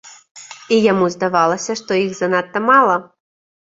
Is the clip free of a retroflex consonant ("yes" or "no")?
no